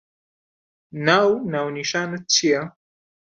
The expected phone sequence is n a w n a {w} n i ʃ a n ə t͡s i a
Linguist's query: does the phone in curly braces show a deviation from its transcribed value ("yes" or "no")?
no